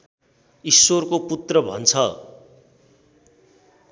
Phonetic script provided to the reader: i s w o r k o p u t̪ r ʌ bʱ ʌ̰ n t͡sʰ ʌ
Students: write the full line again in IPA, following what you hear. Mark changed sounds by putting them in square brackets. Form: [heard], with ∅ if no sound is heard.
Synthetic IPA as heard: i s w o r k o p u t̪ r ʌ bʱ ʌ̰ n t͡sʰ ʌ